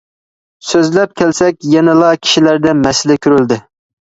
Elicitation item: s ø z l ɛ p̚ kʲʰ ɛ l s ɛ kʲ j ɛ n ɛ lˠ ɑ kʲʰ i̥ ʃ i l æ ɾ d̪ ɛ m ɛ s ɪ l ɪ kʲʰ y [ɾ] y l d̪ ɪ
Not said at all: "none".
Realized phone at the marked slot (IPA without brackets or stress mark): ɾ